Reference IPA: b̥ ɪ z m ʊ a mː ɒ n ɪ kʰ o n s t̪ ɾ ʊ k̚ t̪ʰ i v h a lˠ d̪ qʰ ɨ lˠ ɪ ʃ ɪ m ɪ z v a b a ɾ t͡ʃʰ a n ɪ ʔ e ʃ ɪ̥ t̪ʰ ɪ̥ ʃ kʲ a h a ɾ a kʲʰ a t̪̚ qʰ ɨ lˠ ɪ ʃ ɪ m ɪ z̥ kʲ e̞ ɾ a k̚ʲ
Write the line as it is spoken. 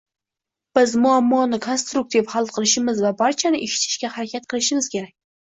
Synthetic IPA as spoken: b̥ ɪ z m ʊ a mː ɒ n ɪ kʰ o n s t̪ ɾ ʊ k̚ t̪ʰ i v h a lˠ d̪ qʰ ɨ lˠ ɪ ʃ ɪ m ɪ z v a b a ɾ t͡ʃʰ a n ɪ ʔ e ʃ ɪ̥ t̪ʰ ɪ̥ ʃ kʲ a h a ɾ a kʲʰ a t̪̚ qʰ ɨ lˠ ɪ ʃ ɪ m ɪ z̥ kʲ e̞ ɾ a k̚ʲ

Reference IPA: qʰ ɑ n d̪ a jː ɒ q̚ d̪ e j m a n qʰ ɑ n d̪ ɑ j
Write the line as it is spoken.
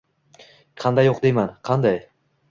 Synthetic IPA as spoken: qʰ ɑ n d̪ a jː o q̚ d̪ e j m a n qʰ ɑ n d̪ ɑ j

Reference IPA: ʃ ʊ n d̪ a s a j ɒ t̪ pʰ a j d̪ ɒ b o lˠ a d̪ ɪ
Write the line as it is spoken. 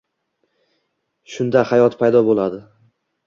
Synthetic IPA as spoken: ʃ ʊ n d̪ a h a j ɒ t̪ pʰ a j d̪ ɒ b o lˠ a d̪ ɪ

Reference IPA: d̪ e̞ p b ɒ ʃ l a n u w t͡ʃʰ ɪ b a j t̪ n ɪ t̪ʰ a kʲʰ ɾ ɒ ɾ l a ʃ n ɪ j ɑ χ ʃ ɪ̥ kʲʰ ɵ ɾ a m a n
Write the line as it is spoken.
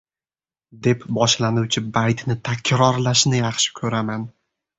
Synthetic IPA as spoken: d̪ e̞ p b ɒ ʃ l a n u w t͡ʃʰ ɪ b a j t̪ n ɪ t̪ʰ a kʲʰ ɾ ɒ ɾ l a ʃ n ɪ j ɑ χ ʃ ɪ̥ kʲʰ ɵ ɾ a m a n

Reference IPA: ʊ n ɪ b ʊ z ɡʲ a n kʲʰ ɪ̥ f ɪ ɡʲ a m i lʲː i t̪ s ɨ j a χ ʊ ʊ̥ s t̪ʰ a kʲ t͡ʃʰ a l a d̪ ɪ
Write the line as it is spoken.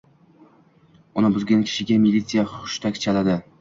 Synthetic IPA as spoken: ʊ n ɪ b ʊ z ɡʲ a n kʲʰ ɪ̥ ʃ ɪ ɡʲ a m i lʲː i t̪ s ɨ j a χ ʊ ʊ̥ ʃ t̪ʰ a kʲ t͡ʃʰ a l a d̪ ɪ

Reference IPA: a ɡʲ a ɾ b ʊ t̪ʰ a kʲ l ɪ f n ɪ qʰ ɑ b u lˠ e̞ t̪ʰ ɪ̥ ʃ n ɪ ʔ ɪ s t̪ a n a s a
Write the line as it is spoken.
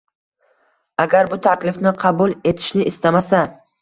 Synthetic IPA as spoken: a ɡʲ a ɾ b ʊ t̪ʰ a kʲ l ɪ f n ɪ qʰ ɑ b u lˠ e̞ t̪ʰ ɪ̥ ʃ n ɪ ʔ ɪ s t̪ a m a s a

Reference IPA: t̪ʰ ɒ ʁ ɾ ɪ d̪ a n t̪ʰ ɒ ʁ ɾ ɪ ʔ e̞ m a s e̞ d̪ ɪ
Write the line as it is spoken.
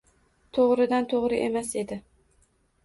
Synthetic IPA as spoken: t̪ʰ o ʁ ɾ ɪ d̪ a n t̪ʰ o ʁ ɾ ɪ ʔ e̞ m a s e̞ d̪ ɪ

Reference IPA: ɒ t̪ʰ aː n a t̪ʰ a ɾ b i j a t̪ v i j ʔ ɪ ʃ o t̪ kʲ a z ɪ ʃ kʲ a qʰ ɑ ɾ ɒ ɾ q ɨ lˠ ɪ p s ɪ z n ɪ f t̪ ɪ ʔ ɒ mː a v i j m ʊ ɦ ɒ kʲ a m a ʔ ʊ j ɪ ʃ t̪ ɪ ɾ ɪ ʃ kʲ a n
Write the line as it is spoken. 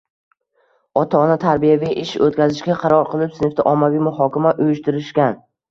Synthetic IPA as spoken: ɒ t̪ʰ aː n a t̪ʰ a ɾ b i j a v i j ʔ ɪ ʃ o t̪ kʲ a z ɪ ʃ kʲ a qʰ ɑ ɾ ɒ ɾ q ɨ lˠ ɪ p s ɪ n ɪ f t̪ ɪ ʔ ɒ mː a v i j m ʊ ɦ ɒ kʲ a m a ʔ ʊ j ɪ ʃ t̪ ɪ ɾ ɪ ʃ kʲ a n

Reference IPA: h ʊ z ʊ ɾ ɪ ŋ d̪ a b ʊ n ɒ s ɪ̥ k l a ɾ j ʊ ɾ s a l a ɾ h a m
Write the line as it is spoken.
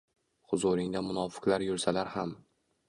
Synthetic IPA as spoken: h ʊ z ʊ ɾ ɪ ŋ d̪ a m ʊ n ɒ f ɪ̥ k l a ɾ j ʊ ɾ s a l a ɾ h a m

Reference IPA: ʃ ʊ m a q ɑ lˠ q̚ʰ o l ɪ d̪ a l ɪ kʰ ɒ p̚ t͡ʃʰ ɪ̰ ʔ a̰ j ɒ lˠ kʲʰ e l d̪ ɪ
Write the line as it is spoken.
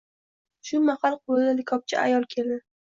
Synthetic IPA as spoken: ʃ ʊ m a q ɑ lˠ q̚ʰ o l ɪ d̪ a l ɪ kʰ ɒ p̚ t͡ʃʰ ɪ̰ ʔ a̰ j ɒ lˠ kʲʰ e l d̪ ɪ

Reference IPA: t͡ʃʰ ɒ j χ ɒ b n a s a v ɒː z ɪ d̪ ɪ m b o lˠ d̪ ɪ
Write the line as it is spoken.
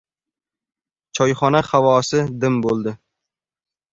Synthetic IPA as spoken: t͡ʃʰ ɒ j χ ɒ n a χ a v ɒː s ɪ d̪ ɪ m b o lˠ d̪ ɪ

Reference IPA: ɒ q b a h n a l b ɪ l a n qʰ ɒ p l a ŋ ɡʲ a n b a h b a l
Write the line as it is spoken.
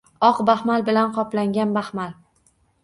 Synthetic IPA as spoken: ɒ q b a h m a l b ɪ l a n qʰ ɒ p l a ŋ ɡʲ a n b a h m a l

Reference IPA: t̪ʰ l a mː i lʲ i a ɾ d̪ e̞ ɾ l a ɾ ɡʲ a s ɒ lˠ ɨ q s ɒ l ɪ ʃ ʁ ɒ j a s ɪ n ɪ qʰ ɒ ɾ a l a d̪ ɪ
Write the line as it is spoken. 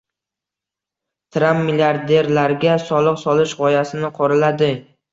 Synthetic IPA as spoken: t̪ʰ ɾ a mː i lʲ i a ɾ d̪ e̞ ɾ l a ɾ ɡʲ a s ɒ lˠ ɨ q s ɒ l ɪ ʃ ʁ ɒ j a s ɪ n ɪ qʰ ɒ ɾ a l a d̪ ɪ

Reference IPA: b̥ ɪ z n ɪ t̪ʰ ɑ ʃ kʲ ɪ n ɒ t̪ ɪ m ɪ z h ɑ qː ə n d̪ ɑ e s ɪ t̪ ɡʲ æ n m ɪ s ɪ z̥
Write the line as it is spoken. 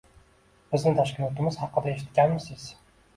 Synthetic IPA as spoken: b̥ ɪ z n ɪ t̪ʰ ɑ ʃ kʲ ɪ n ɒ t̪ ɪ m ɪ z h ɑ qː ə d̪ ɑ e ʃ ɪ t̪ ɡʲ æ n m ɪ s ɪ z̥

